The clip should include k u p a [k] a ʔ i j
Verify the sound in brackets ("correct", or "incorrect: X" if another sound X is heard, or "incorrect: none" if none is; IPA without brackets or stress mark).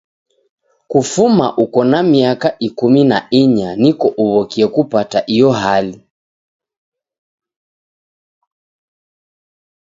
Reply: incorrect: t